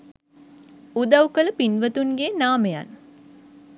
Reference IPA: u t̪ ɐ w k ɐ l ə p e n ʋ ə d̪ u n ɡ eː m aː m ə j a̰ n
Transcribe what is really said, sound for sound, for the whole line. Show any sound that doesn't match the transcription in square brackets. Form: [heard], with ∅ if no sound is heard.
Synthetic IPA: u [d̪] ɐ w k [ə] l ə p [i] n ʋ ə [t̪] u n ɡ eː [n] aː m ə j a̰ n